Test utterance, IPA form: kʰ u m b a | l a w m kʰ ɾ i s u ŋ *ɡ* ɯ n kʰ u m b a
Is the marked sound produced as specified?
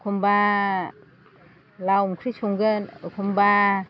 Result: yes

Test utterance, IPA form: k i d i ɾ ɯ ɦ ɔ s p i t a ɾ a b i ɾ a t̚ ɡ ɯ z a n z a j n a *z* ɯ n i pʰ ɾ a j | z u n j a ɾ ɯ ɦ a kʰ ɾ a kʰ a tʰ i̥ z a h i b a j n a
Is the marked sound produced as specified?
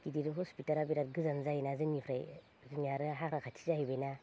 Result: yes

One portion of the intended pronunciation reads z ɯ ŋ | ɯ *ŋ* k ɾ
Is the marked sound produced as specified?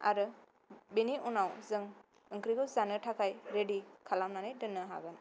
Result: yes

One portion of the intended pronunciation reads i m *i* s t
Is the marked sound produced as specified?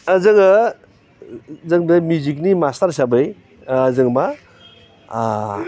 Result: no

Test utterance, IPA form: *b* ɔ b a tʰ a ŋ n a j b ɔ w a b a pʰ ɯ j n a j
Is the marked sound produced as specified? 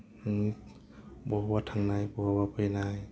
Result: yes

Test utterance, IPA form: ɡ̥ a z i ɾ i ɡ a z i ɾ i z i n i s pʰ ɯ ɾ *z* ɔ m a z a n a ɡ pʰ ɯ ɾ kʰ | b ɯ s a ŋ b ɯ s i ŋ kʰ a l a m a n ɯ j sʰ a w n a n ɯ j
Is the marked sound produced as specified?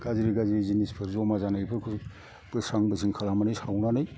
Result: yes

